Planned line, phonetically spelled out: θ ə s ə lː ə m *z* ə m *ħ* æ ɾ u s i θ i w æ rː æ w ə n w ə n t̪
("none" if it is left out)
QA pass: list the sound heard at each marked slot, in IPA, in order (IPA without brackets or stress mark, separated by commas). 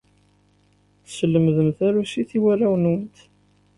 ð, θ